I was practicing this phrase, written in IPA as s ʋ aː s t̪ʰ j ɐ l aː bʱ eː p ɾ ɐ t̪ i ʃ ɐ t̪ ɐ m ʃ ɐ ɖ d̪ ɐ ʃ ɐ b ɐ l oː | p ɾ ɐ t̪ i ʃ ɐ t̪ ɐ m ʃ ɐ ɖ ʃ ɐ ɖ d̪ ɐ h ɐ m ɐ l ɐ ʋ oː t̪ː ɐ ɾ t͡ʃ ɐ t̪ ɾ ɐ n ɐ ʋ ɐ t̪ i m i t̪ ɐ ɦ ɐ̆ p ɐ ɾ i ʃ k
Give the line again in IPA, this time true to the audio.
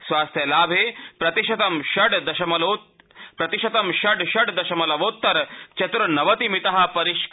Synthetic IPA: s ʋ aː s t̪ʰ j ɐ l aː bʱ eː p ɾ ɐ t̪ i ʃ ɐ t̪ ɐ m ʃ ɐ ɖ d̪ ɐ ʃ ɐ m ɐ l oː | p ɾ ɐ t̪ i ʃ ɐ t̪ ɐ m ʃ ɐ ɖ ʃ ɐ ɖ d̪ ɐ ʃ ɐ m ɐ l ɐ ʋ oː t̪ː ɐ ɾ t͡ʃ ɐ t̪ ɾ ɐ n ɐ ʋ ɐ t̪ i m i t̪ ɐ ɦ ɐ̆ p ɐ ɾ i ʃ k